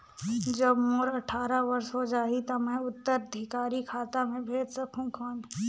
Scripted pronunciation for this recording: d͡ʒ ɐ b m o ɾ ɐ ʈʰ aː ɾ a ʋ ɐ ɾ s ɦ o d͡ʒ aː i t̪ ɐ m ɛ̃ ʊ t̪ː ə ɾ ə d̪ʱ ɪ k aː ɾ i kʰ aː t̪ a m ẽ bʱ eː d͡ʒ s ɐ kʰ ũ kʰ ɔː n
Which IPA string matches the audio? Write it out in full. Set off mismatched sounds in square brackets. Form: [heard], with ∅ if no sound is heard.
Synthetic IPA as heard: d͡ʒ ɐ b m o ɾ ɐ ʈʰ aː ɾ a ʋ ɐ ɾ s ɦ o d͡ʒ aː i t̪ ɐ m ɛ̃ ʊ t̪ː ə ɾ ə d̪ʱ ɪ k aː ɾ i kʰ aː t̪ a m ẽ bʱ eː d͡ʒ s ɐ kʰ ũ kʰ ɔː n